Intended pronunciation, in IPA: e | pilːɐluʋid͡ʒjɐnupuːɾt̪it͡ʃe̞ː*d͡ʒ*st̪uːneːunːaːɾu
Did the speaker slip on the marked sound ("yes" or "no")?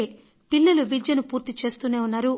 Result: yes